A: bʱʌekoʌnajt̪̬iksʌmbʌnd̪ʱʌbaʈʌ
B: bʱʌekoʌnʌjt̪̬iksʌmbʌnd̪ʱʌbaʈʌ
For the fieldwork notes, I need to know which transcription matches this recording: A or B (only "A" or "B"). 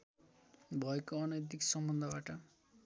B